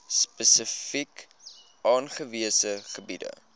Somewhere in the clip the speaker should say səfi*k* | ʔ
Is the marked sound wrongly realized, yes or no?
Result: no